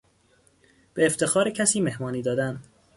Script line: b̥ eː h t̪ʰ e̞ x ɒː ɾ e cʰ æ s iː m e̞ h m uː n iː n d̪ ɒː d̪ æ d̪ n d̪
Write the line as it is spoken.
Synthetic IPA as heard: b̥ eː f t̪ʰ e̞ x ɒː ɾ e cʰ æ s iː m e̞ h m ɒː n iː d̪ ɒː d̪ æ n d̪